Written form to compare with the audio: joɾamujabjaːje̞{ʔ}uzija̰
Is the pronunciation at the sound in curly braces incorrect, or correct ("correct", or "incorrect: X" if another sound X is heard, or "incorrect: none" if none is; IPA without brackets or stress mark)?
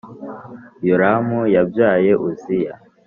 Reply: correct